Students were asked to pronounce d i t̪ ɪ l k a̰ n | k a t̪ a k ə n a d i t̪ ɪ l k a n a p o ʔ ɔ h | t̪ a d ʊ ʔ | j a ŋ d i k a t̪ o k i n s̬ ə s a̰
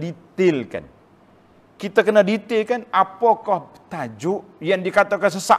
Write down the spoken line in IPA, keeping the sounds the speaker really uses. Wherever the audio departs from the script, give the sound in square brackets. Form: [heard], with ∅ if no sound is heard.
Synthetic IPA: d i t̪ ɪ l k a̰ n | k [i] t̪ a k ə n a d i t̪ ɪ l k a n a p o [k] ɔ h | t̪ a [d͡ʒ] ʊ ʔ | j a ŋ d i k a t̪ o k [a] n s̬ ə s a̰